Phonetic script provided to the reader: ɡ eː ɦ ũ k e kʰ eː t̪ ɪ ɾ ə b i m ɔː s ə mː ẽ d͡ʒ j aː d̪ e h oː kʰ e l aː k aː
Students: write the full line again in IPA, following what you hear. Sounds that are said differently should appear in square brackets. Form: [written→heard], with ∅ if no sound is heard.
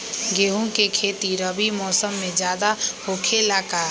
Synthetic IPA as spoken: ɡ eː ɦ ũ k e kʰ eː t̪ [ɪ→i] ɾ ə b i m ɔː s ə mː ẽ d͡ʒ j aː d̪ [e→a] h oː kʰ e l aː k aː